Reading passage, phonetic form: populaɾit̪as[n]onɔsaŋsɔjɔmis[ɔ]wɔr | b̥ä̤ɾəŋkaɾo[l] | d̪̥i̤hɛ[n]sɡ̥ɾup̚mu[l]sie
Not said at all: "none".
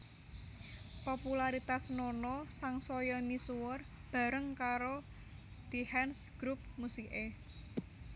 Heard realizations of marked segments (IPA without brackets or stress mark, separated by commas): n, u, none, n, none